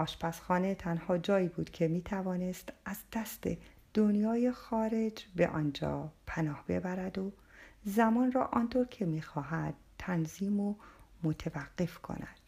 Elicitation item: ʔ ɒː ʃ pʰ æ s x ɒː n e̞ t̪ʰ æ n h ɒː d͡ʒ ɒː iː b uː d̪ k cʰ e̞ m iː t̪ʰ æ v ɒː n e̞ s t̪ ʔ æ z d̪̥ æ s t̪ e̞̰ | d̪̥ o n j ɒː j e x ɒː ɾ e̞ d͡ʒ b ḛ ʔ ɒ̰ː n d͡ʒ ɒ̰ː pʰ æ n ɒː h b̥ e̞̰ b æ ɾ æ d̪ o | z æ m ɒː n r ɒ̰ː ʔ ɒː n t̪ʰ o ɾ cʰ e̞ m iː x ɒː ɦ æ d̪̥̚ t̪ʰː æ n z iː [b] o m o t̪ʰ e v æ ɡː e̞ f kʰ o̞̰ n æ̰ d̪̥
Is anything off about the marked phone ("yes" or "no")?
yes